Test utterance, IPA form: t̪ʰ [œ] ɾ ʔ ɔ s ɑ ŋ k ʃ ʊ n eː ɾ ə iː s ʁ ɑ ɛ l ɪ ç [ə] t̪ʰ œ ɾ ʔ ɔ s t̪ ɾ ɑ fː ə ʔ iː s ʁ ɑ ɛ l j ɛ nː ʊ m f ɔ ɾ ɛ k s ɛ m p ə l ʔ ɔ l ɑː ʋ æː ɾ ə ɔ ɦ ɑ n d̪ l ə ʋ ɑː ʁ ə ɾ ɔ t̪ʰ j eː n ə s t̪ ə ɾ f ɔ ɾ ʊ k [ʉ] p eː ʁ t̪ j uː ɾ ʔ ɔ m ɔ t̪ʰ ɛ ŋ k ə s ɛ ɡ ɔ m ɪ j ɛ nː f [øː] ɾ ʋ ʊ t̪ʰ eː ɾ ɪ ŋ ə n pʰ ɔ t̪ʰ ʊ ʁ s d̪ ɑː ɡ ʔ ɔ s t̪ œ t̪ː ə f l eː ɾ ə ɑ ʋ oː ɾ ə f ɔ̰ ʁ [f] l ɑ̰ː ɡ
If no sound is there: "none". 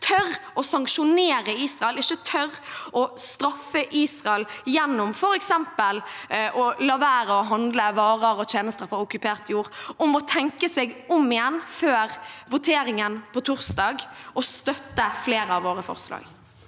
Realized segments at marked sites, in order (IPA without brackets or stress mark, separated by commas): œ, ə, ʉ, øː, s